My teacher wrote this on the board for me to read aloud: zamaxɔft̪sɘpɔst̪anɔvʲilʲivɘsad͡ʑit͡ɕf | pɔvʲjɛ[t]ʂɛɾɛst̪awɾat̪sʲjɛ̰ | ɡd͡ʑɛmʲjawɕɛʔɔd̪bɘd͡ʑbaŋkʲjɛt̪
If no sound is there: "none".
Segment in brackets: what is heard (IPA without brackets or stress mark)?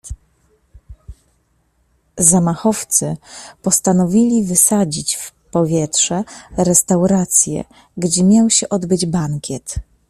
t